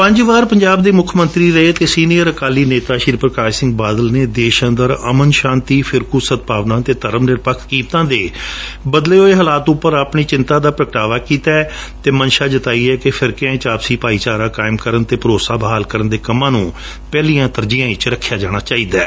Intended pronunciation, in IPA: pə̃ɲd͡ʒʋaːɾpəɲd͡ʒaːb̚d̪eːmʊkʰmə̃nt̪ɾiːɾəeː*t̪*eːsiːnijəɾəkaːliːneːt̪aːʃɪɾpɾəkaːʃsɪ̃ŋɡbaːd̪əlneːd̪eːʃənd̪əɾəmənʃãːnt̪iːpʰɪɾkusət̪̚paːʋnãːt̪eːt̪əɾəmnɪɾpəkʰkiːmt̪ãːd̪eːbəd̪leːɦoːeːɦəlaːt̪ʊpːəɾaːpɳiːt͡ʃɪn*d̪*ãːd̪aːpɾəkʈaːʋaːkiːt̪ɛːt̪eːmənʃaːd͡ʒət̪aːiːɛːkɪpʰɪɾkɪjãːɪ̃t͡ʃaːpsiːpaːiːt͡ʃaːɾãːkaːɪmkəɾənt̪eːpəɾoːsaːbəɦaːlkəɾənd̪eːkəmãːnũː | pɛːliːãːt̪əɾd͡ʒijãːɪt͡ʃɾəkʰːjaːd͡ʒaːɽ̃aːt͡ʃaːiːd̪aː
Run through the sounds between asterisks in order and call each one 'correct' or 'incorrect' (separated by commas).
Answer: correct, incorrect